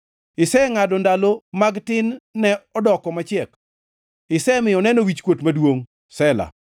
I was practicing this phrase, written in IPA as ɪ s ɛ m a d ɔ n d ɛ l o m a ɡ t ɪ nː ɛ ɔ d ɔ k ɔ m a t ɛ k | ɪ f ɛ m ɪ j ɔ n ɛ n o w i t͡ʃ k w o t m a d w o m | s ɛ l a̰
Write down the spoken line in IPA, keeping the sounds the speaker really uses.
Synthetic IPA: ɪ s ɛ ŋ a d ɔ n d a l o m a ɡ t ɪ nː ɛ ɔ d ɔ k ɔ m a t͡ʃ ɛ k | ɪ s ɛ m ɪ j ɔ n ɛ n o w i t͡ʃ k w o t m a d w o ŋ | s ɛ l a̰